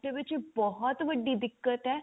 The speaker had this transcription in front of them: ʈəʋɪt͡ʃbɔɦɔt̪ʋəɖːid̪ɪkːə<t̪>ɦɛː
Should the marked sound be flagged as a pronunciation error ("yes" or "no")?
no